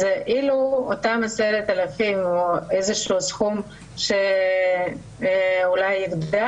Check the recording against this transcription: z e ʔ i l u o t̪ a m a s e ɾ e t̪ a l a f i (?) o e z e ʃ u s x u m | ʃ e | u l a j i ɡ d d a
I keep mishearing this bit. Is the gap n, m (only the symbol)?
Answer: m